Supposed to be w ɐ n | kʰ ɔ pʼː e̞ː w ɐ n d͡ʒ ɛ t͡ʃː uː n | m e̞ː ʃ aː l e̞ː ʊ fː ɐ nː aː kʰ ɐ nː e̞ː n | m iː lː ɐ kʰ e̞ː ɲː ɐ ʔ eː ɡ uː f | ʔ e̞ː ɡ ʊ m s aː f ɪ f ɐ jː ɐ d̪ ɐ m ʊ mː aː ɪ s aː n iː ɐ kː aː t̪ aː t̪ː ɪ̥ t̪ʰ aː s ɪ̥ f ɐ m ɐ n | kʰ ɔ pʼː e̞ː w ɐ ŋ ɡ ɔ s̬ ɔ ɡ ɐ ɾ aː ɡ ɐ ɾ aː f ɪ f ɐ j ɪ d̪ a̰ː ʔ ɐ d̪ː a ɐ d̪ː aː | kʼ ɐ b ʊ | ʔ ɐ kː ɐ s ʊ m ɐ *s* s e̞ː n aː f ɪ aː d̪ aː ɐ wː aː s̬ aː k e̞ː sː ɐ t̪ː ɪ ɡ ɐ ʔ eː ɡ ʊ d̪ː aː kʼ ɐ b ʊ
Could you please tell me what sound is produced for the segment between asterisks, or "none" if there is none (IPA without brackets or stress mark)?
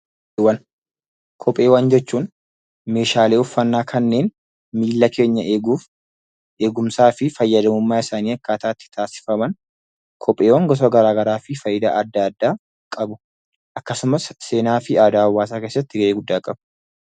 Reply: s